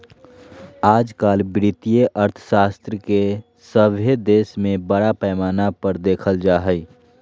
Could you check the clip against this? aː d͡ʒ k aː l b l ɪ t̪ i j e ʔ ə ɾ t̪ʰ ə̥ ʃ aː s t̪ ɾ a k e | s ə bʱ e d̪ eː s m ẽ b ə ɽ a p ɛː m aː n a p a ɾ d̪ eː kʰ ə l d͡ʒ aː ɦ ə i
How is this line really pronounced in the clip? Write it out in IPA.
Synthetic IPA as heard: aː d͡ʒ k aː l b ɾ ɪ t̪ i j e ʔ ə ɾ t̪ʰ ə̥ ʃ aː s t̪ ɾ ə k e | s ə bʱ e d̪ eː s m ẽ b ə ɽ a p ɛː m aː n a p ə ɾ d̪ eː kʰ ə l d͡ʒ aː ɦ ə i